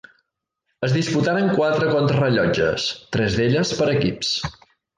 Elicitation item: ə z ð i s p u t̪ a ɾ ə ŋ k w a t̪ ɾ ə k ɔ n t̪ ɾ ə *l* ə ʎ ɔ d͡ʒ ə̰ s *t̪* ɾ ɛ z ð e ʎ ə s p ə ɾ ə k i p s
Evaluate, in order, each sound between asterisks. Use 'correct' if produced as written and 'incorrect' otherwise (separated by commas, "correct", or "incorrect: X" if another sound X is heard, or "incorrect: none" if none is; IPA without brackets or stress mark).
incorrect: r, correct